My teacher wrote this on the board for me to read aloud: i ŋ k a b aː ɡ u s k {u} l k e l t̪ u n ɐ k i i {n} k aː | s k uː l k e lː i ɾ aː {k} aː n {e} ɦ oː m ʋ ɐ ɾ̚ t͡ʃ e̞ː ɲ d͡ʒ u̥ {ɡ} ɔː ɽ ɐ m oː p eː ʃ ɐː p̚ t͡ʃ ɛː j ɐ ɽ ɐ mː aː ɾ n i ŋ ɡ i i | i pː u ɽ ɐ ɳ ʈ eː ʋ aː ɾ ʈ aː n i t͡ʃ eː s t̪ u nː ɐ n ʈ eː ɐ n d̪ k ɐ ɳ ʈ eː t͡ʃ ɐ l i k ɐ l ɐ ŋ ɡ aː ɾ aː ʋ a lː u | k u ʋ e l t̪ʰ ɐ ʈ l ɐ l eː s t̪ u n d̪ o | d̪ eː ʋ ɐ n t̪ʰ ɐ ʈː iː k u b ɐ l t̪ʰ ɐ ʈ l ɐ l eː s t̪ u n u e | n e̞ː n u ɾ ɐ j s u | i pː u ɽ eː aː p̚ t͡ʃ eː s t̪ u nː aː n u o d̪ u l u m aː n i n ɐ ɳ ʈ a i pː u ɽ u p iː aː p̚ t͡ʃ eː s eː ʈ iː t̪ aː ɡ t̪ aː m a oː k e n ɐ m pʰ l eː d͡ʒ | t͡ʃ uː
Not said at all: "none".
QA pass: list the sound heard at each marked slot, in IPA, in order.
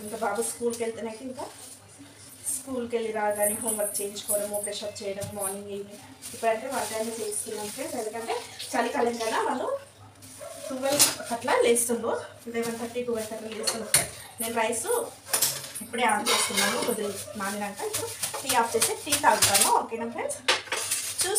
uː, ŋ, ɡ, i, k

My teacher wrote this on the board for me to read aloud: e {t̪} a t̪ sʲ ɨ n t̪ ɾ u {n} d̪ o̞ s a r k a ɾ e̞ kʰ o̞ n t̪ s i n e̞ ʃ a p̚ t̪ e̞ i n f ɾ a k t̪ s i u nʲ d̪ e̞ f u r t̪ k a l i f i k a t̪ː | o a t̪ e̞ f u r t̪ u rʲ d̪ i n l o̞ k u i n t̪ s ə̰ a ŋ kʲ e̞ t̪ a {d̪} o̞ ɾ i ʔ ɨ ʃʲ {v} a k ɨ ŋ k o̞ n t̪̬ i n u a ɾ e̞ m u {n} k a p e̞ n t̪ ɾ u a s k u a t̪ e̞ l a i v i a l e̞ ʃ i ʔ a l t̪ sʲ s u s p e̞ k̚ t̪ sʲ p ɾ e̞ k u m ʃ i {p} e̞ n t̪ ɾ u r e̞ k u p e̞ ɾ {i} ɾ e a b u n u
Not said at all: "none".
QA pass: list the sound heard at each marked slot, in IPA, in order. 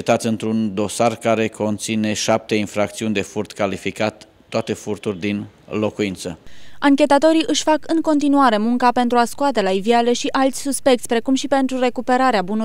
t̪, n, t̪, f, ŋ, p, a

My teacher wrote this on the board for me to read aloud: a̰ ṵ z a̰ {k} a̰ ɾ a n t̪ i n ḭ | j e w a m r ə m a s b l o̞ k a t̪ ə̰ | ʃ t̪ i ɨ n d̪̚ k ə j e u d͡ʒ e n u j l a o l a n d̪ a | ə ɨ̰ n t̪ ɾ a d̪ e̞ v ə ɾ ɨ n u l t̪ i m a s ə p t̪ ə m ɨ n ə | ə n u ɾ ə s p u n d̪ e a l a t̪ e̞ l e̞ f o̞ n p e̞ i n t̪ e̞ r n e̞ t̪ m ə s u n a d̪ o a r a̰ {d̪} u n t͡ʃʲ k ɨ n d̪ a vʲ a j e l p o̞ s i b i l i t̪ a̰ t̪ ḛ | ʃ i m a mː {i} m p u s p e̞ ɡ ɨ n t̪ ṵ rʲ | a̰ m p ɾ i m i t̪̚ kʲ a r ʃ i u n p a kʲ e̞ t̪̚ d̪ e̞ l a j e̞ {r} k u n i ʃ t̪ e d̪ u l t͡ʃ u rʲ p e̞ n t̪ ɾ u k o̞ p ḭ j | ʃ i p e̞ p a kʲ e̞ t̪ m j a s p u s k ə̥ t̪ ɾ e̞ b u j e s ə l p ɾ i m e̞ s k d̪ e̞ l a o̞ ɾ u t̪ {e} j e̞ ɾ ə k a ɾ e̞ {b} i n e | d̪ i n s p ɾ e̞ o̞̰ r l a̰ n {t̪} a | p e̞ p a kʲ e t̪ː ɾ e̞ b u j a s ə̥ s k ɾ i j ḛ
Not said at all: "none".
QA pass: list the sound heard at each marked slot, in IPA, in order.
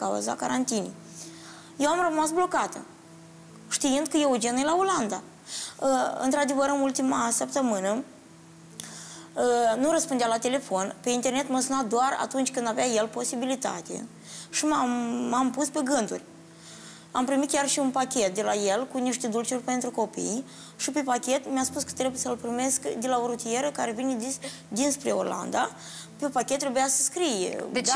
k, t̪, a, l, i, v, d̪

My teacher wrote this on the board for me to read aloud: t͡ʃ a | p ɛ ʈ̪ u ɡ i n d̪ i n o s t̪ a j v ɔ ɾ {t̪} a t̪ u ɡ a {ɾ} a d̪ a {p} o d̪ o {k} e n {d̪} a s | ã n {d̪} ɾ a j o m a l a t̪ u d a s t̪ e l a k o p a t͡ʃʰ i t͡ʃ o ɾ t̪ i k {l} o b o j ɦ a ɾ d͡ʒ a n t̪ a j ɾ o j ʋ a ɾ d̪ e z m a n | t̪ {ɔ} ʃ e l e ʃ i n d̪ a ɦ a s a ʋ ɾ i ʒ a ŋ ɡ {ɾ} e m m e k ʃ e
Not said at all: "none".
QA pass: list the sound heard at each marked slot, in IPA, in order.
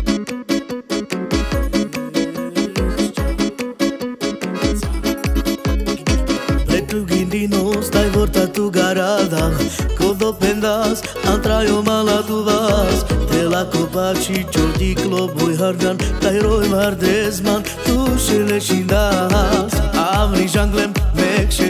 t̪, ɾ, k, p, d̪, t̪, l, u, l

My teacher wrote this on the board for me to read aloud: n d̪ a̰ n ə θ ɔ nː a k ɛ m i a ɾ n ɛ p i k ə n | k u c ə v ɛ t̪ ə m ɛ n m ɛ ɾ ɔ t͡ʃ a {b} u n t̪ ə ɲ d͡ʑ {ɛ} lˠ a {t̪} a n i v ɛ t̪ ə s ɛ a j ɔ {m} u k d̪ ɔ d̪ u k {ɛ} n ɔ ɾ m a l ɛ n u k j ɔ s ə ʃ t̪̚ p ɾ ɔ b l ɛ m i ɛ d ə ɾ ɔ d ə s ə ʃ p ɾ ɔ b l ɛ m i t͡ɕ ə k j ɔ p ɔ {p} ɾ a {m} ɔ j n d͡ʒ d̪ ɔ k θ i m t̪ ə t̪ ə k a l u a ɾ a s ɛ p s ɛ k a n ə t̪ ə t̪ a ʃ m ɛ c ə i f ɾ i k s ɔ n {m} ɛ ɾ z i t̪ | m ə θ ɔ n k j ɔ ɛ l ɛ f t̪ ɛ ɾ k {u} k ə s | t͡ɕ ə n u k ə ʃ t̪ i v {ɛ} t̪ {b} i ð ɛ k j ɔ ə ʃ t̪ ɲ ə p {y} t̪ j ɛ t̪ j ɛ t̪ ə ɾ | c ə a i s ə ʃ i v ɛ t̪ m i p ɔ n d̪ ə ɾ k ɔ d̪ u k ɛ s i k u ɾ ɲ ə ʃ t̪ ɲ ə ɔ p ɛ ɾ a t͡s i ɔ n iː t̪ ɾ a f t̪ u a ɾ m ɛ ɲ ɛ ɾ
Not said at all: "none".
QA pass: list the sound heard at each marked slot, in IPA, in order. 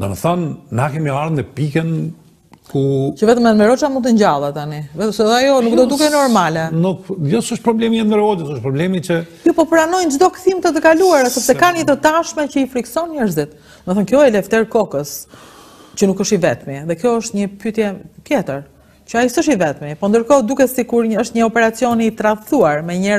m, a, t̪, n, ɛ, p, n, ɲ, ɔ, ɛ, m, y

